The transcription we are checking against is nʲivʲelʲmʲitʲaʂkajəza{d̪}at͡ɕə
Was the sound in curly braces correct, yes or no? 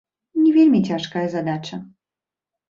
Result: yes